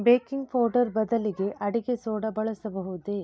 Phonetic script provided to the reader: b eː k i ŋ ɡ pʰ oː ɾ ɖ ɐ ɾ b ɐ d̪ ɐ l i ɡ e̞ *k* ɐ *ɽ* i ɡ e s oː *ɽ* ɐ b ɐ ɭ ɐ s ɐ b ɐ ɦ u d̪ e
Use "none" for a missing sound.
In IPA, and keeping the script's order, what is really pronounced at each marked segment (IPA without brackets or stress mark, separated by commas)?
ʔ, ɽ, ɽ